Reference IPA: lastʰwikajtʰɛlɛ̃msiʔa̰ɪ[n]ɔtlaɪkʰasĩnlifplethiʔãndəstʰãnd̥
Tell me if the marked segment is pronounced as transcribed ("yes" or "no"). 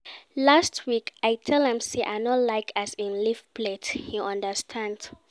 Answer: yes